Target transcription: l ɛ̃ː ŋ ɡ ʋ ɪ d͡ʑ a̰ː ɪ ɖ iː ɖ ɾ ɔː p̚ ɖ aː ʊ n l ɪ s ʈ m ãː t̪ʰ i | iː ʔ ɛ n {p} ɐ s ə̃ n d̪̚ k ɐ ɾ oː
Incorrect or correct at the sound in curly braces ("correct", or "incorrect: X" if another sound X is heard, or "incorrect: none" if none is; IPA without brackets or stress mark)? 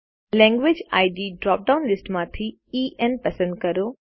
correct